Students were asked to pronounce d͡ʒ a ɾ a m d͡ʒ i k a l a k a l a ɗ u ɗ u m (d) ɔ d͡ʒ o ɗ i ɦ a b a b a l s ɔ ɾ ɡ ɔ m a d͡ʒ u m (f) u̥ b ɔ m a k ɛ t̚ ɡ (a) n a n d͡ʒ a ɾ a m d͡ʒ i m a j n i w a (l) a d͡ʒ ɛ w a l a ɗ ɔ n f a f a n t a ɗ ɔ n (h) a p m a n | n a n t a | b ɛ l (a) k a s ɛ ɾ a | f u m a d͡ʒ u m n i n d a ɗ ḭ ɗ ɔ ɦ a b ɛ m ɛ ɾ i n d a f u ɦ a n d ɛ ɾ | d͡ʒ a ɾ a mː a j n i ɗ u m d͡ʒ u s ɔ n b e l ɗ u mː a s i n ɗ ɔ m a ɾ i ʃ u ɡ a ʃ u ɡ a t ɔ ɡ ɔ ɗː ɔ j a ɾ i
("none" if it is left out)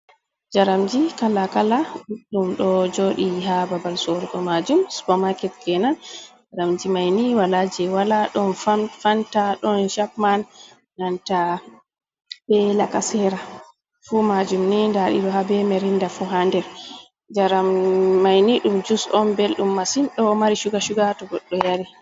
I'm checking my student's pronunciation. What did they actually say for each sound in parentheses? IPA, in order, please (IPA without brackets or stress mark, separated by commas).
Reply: ɗ, s, ɛ, l, ʃ, a